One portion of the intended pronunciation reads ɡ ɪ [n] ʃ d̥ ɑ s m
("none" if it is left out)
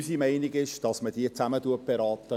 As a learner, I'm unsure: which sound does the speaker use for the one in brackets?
none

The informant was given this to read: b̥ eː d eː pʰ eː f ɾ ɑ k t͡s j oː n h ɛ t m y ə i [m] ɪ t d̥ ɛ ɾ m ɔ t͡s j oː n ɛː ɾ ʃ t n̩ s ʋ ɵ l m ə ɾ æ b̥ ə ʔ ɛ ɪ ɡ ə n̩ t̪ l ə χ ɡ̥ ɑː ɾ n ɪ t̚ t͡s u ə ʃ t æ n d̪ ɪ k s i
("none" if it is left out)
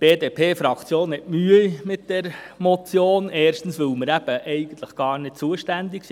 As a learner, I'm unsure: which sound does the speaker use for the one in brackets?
m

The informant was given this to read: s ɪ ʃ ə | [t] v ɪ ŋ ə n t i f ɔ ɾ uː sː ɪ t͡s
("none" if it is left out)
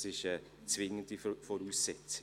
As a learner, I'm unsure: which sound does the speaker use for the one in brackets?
t͡s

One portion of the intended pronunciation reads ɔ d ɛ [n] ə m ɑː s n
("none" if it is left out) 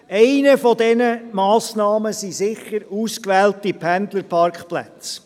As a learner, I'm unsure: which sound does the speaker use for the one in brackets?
n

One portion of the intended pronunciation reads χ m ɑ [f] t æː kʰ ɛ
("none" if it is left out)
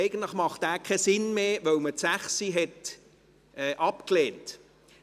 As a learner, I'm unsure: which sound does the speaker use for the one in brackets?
χ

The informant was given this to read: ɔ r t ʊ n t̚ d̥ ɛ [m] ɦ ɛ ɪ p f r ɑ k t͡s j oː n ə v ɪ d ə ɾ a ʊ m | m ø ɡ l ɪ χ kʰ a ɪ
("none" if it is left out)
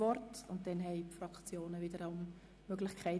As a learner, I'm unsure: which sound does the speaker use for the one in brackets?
n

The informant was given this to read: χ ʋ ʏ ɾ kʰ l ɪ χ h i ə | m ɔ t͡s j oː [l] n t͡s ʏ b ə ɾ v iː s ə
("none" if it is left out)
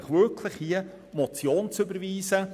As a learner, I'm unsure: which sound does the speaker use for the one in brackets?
none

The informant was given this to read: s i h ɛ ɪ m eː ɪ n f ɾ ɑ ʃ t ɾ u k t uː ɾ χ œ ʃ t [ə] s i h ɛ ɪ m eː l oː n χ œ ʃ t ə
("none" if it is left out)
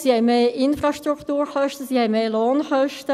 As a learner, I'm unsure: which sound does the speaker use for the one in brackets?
ə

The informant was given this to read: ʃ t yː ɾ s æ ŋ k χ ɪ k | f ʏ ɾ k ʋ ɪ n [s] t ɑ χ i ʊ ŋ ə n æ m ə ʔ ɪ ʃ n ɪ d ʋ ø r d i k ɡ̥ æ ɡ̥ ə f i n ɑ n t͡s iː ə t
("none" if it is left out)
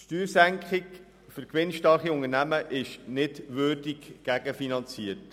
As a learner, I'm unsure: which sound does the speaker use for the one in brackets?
ʃ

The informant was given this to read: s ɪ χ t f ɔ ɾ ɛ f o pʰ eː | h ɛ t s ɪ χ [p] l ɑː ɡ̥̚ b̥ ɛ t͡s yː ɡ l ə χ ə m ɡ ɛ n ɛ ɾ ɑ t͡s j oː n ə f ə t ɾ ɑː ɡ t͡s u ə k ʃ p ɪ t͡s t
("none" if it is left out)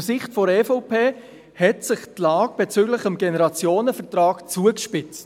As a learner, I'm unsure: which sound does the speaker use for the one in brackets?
t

